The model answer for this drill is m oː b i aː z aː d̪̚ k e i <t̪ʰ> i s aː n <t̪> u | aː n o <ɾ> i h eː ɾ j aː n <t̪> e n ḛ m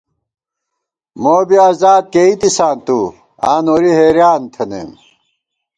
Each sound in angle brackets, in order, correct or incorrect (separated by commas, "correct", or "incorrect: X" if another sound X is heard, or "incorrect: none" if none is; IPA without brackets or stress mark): incorrect: t̪, correct, correct, incorrect: t̪ʰ